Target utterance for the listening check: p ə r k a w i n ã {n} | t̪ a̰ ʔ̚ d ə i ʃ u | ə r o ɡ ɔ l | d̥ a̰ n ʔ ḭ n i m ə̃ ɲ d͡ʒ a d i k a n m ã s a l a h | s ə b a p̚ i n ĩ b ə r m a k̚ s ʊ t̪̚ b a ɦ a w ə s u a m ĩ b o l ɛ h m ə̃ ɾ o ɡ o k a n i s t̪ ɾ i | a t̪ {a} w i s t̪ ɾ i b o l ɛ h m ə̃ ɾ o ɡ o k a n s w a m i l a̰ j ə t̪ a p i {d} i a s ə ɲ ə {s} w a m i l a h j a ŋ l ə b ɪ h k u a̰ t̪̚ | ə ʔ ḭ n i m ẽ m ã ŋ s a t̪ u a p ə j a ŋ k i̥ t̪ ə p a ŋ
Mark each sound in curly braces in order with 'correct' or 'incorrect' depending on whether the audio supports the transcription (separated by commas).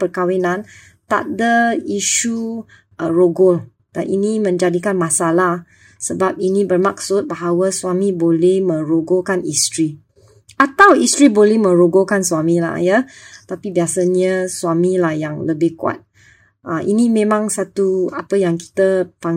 correct, correct, incorrect, correct